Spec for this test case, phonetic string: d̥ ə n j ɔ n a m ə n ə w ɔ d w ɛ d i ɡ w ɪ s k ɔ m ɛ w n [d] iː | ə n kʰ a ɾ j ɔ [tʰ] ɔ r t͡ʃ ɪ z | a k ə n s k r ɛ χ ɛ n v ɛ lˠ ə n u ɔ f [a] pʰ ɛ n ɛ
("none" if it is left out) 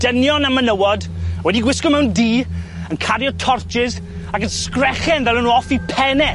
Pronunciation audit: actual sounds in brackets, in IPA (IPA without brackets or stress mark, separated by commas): d, tʰ, i